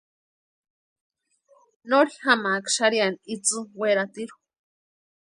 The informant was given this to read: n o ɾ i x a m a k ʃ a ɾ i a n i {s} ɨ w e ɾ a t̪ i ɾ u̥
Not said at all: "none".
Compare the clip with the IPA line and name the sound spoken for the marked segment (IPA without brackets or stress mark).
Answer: t͡s